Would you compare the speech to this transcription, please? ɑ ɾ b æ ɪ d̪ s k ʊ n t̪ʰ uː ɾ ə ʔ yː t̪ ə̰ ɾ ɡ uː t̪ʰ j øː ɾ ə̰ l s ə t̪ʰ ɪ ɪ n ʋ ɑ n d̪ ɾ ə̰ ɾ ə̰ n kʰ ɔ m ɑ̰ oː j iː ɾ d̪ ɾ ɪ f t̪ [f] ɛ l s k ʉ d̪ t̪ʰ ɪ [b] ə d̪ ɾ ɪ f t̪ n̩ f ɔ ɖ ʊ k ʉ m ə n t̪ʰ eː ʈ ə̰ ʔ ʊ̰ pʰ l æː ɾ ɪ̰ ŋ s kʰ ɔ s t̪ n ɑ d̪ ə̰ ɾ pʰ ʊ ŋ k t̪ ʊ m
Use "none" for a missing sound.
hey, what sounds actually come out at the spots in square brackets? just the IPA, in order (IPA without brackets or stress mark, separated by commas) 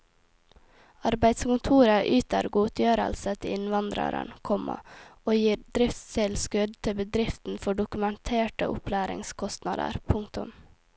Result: s, b